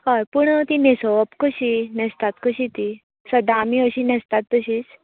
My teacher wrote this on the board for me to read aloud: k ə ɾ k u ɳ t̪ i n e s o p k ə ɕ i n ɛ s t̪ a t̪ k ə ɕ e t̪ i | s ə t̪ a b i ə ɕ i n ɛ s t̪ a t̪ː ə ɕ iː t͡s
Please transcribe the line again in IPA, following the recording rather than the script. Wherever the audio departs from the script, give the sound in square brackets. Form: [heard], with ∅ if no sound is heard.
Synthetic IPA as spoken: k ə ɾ [p] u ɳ t̪ i n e s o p k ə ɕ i n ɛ s t̪ a t̪ k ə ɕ [i] t̪ i | s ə [d̪] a [m] i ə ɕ i n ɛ s t̪ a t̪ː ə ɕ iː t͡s